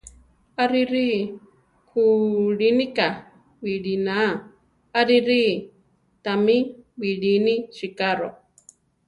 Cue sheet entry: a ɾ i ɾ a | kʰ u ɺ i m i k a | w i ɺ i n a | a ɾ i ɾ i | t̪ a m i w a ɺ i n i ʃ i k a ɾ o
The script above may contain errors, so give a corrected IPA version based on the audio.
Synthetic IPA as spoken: a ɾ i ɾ i | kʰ u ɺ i n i k a | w i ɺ i n a | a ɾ i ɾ i | t̪ a m i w i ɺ i n i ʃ i k a ɾ o